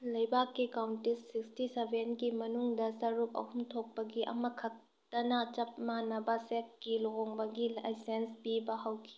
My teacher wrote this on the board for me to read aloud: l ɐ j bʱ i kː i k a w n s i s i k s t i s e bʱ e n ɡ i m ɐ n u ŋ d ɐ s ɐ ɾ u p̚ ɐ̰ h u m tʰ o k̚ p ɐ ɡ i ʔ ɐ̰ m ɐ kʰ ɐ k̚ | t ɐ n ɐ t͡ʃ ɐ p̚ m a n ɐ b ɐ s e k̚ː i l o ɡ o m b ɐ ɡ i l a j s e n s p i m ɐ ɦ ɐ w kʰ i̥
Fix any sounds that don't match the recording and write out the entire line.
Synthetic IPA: l ɐ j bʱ a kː i k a w n t i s i k s t i s e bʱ e n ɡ i m ɐ n u ŋ d ɐ s ɐ ɾ u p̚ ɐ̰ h u m tʰ o k̚ p ɐ ɡ i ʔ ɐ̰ m ɐ kʰ ɐ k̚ | t ɐ n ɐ t͡ʃ ɐ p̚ m a n ɐ b ɐ s e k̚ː i l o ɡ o ŋ b ɐ ɡ i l a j s e n s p i b ɐ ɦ ɐ w kʰ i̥